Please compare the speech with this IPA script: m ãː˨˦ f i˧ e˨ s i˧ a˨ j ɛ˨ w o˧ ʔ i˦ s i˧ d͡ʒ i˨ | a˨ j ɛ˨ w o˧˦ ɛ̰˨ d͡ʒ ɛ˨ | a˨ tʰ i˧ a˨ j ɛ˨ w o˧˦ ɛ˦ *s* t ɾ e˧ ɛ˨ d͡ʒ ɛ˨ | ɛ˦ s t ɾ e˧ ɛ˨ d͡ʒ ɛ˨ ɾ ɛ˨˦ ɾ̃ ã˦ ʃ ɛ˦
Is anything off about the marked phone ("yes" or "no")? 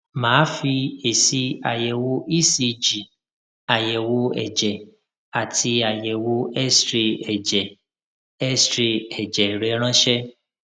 no